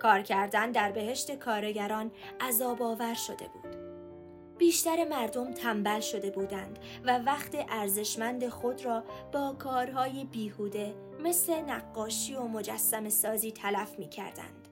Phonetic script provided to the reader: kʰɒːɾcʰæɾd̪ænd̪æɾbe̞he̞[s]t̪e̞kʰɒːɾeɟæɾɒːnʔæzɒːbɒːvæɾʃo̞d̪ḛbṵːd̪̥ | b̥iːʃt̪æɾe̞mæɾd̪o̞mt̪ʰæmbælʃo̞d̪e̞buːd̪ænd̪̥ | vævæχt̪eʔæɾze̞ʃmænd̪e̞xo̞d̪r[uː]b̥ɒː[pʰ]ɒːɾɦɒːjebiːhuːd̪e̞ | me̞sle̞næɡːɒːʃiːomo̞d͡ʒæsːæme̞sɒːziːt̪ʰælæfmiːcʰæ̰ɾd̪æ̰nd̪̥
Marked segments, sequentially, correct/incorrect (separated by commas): incorrect, incorrect, incorrect